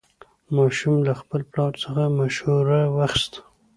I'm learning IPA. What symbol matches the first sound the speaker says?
m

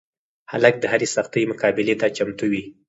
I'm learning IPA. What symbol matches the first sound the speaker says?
h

